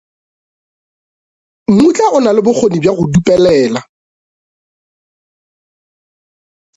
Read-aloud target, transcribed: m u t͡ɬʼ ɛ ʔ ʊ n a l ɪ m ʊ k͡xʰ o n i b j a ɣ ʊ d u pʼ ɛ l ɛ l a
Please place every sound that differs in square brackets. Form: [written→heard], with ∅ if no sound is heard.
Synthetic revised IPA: m u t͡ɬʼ [ɛ→a] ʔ ʊ n a l ɪ [m→b] ʊ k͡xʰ o n i b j a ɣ ʊ d u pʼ ɛ l [ɛ→ɛː] l a